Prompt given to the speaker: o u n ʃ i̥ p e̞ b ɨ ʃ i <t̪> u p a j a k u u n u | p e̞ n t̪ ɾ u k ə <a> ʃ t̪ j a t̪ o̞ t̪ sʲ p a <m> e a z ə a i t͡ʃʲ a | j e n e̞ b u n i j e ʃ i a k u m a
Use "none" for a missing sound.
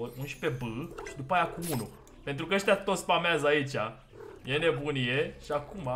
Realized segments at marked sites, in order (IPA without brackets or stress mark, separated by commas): d̪, ə, m